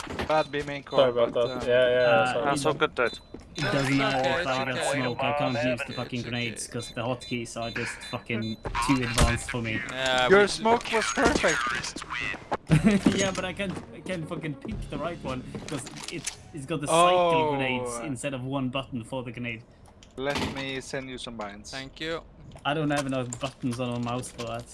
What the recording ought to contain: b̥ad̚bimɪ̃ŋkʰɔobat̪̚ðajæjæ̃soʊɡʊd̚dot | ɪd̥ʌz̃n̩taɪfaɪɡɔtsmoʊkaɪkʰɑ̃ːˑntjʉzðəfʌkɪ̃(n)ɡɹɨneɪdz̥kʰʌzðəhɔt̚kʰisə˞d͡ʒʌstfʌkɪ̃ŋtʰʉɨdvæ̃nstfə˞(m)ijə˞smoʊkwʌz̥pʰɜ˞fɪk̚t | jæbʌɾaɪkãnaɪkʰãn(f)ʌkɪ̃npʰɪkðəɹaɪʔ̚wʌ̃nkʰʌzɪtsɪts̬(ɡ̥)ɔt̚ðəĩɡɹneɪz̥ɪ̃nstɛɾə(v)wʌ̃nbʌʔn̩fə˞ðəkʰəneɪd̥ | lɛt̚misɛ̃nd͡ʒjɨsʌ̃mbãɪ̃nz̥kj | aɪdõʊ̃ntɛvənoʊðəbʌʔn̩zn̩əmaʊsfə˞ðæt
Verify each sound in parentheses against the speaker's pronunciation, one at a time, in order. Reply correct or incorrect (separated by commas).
incorrect, correct, correct, correct, correct